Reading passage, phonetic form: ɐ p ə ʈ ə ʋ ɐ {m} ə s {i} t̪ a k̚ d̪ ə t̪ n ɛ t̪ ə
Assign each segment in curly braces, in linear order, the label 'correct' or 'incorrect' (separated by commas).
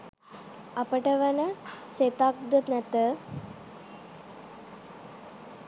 incorrect, incorrect